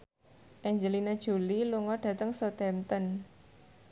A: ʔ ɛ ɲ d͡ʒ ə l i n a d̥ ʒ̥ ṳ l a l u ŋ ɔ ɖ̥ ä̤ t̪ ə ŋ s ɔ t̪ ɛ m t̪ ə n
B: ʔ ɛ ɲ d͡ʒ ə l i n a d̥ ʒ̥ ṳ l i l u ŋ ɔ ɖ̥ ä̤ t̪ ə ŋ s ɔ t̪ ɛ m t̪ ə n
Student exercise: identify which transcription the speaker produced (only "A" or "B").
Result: B